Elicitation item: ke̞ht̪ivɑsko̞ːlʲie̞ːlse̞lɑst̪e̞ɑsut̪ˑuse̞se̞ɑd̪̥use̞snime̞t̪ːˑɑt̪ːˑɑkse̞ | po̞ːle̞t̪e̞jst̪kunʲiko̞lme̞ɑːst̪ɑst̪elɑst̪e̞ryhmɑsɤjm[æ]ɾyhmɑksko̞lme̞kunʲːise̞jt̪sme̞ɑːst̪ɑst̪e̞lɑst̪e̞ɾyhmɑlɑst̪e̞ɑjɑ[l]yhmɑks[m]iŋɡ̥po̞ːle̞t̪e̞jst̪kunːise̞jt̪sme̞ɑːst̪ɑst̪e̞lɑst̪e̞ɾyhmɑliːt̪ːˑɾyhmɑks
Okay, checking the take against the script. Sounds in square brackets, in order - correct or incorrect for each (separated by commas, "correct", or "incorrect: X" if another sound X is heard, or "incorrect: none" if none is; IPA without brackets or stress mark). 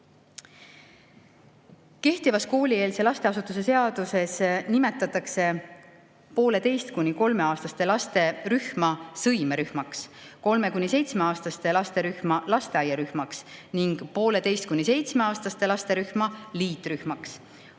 incorrect: e, incorrect: ɾ, incorrect: n